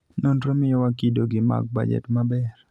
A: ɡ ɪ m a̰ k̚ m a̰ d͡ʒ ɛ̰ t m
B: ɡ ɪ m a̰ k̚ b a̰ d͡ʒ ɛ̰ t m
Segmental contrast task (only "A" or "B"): B